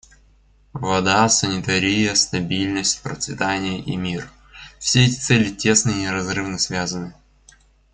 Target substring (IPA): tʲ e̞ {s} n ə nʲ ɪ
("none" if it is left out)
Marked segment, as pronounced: s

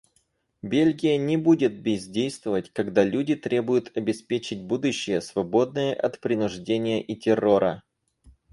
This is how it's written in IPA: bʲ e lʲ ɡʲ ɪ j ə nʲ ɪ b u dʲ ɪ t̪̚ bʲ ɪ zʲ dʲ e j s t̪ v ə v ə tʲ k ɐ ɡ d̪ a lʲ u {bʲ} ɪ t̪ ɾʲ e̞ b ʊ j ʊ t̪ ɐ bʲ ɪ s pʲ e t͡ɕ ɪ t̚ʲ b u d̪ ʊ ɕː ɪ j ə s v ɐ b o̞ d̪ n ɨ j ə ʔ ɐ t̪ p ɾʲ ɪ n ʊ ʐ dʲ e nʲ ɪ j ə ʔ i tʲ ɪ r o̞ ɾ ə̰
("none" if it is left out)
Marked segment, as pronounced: dʲ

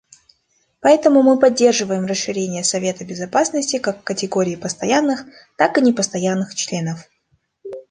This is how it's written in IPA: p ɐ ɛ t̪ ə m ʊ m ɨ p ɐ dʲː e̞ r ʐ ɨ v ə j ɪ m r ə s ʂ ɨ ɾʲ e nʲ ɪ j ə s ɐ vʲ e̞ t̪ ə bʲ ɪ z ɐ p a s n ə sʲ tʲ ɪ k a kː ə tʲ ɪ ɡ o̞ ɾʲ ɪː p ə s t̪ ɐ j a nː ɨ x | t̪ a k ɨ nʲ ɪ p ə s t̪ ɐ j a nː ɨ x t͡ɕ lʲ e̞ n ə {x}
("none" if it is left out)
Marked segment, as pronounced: f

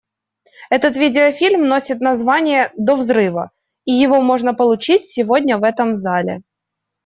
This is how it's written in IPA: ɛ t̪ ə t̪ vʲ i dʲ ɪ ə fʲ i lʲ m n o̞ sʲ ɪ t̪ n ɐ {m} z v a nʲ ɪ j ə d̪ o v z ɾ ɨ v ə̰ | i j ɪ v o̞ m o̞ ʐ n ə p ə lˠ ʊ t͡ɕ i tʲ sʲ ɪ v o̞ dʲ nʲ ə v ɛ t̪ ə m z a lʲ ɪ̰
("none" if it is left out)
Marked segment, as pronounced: none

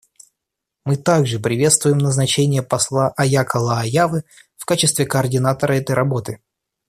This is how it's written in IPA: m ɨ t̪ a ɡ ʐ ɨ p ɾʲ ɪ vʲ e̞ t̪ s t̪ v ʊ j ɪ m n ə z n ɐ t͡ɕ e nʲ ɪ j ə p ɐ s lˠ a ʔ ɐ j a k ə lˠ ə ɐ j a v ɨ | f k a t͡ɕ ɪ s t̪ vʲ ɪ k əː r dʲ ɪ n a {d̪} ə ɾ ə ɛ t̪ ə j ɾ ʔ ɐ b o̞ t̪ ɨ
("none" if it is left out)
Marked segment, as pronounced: t̪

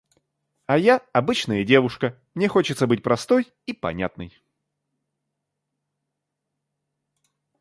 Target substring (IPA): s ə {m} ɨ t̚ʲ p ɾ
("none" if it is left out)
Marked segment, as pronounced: b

